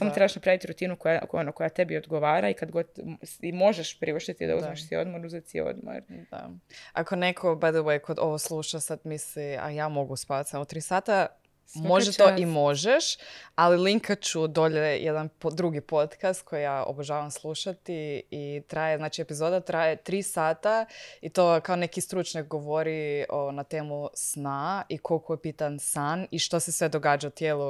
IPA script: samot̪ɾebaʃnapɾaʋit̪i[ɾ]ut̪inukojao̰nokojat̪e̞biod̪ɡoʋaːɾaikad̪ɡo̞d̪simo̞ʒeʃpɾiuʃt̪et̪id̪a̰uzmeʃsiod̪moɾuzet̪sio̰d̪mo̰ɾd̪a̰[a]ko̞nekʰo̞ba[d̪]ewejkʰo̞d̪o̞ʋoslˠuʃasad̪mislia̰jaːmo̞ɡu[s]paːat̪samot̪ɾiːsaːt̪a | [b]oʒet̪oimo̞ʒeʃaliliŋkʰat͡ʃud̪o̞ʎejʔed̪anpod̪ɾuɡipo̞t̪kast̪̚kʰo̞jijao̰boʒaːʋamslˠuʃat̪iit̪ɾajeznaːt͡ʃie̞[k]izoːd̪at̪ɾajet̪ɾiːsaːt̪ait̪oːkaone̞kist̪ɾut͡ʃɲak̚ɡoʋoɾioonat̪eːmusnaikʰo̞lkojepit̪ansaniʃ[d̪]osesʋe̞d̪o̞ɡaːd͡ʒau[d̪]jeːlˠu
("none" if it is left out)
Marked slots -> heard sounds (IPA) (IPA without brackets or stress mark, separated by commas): ɾ, a, d̪, s, m, p, t̪, t̪